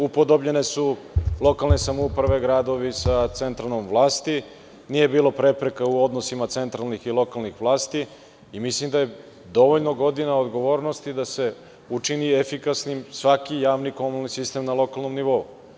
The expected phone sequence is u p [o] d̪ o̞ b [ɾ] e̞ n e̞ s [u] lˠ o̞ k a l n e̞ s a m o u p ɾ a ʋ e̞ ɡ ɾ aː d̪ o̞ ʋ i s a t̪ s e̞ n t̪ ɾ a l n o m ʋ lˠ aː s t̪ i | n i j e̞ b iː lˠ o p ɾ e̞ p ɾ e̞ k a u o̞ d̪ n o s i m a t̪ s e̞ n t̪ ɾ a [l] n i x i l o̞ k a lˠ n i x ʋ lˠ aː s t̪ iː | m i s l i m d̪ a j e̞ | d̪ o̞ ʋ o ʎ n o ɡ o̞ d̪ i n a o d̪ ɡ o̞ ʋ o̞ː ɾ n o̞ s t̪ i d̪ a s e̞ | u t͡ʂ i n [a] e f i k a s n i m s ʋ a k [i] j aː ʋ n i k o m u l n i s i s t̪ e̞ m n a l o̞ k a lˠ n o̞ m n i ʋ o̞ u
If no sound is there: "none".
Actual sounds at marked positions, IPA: o, ʎ, u, l, i, i

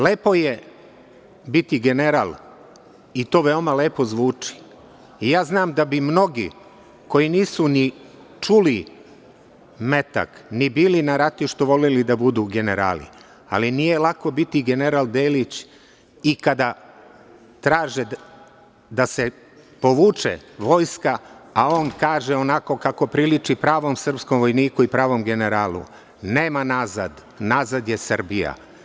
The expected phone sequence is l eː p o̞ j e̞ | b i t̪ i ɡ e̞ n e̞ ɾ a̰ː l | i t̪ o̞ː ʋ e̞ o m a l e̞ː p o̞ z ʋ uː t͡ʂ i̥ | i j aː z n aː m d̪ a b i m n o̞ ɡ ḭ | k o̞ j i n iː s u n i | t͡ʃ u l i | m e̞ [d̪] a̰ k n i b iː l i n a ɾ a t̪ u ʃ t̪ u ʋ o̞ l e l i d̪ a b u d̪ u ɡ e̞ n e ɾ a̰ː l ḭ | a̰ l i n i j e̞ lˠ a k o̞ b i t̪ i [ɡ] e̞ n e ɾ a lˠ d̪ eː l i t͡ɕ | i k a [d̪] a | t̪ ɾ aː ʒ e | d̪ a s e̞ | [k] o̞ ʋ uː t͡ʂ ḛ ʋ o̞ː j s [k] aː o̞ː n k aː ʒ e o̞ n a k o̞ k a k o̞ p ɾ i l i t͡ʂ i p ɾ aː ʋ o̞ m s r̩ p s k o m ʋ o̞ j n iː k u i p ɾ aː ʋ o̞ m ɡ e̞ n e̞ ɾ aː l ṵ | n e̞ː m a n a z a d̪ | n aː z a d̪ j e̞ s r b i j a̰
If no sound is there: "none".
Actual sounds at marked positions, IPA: t̪, ɡ, d̪, p, k

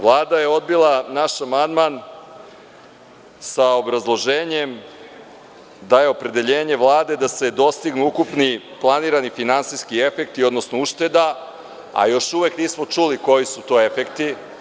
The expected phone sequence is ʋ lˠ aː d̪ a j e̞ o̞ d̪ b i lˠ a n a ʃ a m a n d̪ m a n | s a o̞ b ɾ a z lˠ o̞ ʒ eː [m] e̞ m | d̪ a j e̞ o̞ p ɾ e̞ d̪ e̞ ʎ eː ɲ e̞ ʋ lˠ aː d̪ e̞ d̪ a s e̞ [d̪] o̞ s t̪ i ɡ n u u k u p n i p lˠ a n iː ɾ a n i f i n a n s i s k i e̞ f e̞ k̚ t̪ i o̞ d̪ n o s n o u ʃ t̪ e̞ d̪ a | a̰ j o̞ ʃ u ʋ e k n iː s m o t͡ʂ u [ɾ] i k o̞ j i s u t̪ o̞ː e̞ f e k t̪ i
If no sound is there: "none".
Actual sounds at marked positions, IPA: ɲ, d̪, l

